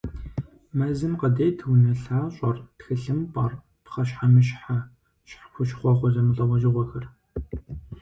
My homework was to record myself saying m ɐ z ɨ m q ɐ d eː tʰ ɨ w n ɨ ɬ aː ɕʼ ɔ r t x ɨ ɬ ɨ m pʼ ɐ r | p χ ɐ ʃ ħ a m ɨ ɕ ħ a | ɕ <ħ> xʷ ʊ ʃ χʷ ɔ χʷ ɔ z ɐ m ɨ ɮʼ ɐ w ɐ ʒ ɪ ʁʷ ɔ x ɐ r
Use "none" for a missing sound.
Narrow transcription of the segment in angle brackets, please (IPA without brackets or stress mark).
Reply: ħ